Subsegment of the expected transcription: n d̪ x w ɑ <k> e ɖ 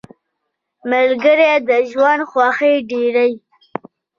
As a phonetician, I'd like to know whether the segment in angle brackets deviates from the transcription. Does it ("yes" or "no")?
yes